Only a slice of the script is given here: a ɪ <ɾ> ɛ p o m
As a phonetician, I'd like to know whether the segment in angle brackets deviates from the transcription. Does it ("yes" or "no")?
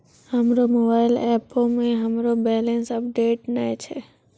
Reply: yes